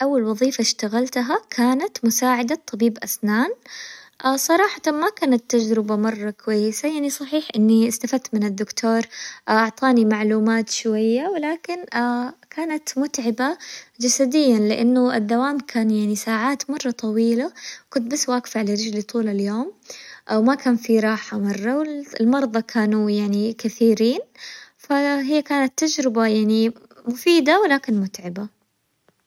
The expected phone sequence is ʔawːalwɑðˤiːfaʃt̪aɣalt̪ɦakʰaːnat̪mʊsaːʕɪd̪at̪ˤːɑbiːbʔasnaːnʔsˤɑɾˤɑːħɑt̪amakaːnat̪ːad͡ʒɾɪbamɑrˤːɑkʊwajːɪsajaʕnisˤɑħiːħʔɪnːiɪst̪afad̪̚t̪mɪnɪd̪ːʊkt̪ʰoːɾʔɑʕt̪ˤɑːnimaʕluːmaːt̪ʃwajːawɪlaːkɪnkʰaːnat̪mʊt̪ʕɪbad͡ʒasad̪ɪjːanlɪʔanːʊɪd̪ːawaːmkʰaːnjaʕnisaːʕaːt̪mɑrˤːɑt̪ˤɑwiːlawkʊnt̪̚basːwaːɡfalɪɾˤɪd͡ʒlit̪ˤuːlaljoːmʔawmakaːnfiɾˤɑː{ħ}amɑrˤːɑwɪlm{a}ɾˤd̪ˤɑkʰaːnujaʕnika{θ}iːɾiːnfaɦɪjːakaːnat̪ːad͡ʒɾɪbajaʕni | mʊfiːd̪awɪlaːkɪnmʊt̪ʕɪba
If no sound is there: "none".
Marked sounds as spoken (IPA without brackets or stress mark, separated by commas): ħ, ɑ, θ